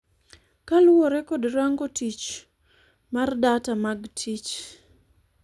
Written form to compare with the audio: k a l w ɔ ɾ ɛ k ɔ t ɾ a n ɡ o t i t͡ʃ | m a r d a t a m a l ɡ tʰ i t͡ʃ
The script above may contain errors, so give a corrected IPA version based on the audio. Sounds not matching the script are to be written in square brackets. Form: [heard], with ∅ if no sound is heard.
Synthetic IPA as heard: k a l w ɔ ɾ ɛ k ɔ [d] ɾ a [ŋ] ɡ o t i t͡ʃ | m a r d a t a m a [∅] ɡ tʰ i t͡ʃ